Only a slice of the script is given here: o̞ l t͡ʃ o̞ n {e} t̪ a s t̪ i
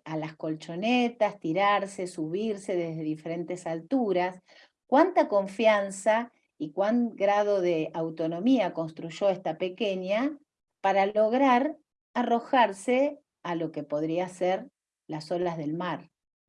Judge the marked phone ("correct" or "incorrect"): correct